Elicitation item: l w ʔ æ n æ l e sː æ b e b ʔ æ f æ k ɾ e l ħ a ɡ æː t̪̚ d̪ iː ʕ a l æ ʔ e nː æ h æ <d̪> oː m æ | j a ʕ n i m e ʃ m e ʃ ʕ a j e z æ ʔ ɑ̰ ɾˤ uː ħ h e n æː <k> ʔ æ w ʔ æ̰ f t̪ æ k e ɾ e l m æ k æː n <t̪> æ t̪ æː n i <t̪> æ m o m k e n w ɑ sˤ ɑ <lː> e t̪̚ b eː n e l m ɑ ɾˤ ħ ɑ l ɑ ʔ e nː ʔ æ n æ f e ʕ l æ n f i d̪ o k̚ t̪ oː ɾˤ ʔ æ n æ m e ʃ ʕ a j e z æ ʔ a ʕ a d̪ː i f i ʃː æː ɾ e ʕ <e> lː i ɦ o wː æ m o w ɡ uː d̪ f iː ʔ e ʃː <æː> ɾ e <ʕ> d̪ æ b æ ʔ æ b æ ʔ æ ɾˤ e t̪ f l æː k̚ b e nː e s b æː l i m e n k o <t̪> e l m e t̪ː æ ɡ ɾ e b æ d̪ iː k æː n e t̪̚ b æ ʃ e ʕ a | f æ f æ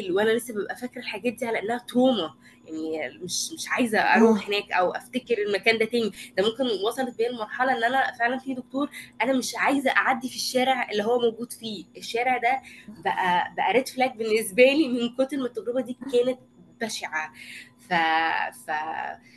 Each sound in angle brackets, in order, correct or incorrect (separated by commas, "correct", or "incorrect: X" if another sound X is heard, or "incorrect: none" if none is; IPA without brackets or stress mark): incorrect: t̪, correct, incorrect: d̪, incorrect: d̪, incorrect: l, correct, correct, correct, correct